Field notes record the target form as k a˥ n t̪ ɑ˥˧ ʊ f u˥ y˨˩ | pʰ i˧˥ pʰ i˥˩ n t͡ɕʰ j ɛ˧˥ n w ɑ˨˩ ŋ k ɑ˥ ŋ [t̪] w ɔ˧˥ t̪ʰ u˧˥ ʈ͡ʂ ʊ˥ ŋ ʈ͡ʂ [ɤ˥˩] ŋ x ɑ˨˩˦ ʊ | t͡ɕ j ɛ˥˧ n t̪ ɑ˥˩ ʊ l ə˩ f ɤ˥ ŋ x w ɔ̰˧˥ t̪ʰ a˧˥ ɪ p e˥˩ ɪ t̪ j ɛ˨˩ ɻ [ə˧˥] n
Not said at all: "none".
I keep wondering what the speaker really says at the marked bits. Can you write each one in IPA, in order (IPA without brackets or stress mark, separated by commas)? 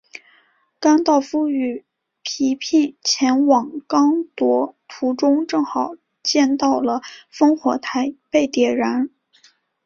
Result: t̪, ɤ˥˩, a˧˥